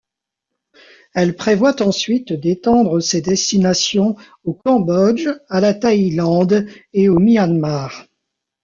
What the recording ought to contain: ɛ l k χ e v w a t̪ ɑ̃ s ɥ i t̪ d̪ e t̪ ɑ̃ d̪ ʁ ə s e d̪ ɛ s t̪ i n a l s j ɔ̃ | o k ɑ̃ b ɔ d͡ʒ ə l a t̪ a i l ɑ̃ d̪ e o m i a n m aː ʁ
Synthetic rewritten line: ɛ l p χ e v w a t̪ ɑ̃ s ɥ i t̪ d̪ e t̪ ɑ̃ d̪ ʁ ə s e d̪ ɛ s t̪ i n a s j ɔ̃ | o k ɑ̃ b ɔ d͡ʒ a l a t̪ a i l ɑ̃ d̪ e o m i a n m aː ʁ